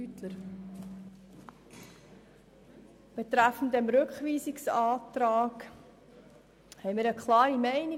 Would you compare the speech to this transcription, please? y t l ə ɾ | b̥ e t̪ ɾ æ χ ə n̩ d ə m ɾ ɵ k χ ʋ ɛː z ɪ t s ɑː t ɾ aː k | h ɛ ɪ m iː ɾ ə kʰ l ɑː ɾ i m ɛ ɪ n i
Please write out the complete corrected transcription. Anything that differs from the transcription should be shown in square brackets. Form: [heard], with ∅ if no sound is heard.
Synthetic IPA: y t l ə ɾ | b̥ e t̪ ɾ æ [f] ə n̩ d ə m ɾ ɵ k χ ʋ [iː] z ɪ [k] s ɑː t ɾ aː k | h ɛ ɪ m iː ɾ ə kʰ l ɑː ɾ i m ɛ ɪ n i